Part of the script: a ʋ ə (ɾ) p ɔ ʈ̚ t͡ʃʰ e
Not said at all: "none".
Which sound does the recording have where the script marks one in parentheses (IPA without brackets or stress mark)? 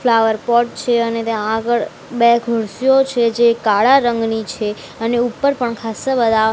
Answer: ɾ